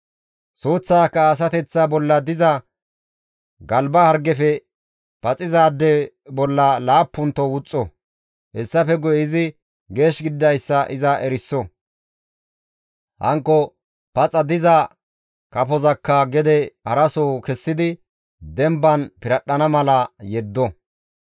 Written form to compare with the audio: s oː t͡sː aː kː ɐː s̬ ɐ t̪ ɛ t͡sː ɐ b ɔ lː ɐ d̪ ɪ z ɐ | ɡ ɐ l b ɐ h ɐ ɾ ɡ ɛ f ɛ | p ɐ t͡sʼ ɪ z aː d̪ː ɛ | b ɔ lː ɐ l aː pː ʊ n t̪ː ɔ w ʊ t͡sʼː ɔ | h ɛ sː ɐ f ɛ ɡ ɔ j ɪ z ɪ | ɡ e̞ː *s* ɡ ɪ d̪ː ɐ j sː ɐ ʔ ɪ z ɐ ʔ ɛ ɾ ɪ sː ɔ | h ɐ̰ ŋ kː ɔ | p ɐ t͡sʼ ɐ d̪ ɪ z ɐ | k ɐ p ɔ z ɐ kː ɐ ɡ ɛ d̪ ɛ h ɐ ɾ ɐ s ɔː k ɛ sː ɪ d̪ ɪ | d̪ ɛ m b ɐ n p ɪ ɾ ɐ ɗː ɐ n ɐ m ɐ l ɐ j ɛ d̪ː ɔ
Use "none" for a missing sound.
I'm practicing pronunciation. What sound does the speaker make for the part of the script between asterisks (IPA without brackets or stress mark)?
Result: ʃ